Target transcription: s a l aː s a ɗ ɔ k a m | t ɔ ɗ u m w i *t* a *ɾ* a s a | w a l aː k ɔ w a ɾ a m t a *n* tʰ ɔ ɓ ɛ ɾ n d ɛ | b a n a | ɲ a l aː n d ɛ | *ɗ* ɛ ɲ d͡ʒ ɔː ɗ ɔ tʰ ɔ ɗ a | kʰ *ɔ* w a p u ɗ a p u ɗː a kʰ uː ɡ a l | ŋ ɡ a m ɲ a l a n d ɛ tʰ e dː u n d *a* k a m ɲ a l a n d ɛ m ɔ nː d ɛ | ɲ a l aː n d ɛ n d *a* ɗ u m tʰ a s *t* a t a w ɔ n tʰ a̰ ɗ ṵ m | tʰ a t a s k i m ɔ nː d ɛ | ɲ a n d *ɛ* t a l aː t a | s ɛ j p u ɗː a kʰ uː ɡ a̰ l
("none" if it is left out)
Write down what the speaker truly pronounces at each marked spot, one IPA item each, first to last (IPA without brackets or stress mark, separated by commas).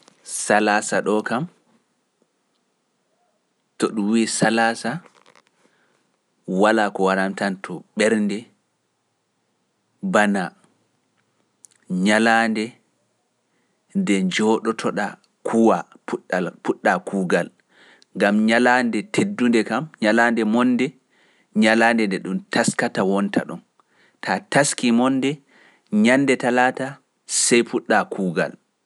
s, l, n, d, u, ɛ, ɛ, k, ɛ